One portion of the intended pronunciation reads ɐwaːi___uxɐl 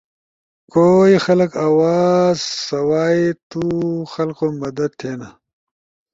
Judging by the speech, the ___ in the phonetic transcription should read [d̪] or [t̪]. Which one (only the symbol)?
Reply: t̪